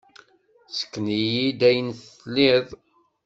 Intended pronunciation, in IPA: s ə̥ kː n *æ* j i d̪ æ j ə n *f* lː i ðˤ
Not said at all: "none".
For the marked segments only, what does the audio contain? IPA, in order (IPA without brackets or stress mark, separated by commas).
i, θ